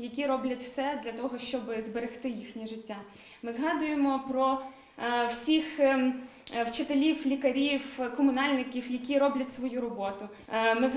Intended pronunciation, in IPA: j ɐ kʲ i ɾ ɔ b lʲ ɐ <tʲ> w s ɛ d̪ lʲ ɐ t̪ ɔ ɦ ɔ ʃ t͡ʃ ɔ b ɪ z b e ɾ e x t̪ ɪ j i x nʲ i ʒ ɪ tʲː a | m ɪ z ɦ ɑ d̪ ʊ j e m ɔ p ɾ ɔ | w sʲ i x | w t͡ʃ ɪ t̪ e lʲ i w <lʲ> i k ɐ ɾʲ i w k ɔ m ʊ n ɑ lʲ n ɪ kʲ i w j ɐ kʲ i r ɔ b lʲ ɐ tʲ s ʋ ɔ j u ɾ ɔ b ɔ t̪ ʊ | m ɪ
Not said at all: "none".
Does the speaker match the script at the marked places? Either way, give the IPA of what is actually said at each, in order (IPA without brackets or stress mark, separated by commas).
tʲ, lʲ